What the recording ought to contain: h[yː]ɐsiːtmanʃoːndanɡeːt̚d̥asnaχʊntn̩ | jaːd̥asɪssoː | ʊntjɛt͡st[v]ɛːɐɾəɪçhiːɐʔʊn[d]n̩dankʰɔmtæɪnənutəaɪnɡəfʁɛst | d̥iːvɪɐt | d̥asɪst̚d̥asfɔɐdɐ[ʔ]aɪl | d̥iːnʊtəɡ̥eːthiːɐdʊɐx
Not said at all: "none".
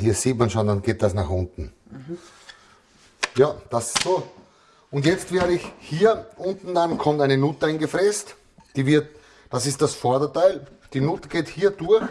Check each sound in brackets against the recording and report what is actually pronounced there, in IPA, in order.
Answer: iː, v, t, t

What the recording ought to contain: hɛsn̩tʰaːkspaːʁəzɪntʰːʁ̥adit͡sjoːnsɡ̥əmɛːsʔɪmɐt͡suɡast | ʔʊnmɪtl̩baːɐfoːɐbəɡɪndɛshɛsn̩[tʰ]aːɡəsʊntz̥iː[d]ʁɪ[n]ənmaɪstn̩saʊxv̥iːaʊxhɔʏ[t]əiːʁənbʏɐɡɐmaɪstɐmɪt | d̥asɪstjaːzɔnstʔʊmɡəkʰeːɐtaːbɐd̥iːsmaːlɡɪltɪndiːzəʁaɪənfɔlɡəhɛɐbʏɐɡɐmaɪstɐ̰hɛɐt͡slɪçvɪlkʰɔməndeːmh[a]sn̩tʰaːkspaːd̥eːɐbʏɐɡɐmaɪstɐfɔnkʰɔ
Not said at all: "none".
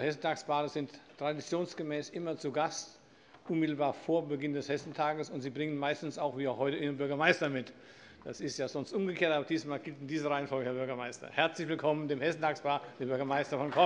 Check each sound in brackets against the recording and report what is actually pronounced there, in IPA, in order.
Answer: tʰ, b, ŋ, t, ɛ

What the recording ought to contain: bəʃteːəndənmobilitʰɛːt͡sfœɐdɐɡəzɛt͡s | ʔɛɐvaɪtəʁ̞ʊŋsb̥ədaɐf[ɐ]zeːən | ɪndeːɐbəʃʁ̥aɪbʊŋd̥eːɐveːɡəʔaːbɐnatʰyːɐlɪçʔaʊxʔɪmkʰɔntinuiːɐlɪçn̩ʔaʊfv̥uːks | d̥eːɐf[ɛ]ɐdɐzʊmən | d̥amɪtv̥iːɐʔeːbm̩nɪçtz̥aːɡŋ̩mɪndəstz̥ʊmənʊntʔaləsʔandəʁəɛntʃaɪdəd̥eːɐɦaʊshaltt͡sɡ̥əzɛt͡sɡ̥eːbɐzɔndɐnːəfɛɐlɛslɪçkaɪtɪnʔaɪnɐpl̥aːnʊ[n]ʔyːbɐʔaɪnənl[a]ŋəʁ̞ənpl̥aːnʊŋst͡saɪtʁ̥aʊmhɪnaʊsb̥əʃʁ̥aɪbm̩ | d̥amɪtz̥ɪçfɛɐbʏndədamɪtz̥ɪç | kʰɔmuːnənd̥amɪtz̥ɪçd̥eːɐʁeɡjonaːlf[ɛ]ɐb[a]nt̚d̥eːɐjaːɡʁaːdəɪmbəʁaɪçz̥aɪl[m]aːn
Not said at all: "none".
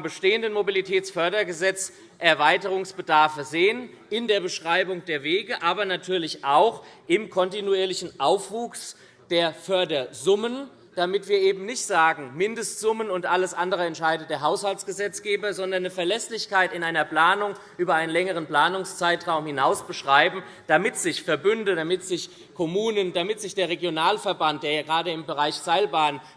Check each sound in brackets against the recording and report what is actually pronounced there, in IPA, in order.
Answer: ə, œ, ŋ, ɛ, ɛ, a, b

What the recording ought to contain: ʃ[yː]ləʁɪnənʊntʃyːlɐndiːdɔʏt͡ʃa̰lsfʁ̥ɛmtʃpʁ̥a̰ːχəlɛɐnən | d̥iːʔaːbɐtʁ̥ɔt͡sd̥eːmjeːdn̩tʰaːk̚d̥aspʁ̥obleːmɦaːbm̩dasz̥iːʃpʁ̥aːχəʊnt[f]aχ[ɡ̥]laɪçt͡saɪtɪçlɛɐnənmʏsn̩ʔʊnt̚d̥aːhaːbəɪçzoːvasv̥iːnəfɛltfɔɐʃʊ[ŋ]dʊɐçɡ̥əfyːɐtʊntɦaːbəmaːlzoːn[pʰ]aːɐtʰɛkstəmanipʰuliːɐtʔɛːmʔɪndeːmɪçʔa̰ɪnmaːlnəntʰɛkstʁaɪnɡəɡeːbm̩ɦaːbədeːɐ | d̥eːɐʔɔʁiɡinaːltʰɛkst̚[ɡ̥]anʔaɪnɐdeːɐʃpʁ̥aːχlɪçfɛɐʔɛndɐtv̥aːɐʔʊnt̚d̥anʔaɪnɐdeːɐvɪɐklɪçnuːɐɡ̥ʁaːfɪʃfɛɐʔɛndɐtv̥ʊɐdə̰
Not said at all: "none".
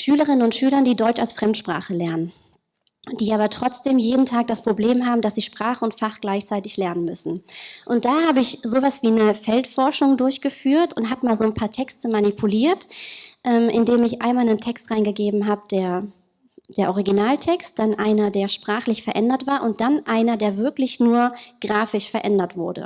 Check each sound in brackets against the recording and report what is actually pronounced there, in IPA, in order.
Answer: yː, f, ɡ̥, ŋ, pʰ, d̥

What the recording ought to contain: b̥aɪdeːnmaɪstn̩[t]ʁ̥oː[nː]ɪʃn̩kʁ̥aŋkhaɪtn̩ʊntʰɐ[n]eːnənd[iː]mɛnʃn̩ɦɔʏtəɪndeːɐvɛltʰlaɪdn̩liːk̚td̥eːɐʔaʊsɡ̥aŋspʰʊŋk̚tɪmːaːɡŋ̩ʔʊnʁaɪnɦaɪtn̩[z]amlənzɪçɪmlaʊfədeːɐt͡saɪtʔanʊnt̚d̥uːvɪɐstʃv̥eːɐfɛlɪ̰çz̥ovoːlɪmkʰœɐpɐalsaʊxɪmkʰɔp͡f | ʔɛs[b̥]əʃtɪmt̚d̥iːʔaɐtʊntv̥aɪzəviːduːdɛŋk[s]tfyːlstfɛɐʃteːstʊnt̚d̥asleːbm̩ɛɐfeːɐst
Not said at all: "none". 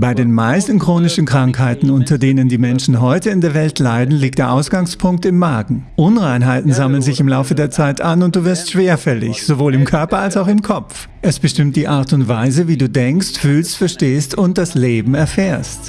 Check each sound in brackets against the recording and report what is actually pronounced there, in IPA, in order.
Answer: k, n, d, iː, z, b̥, s

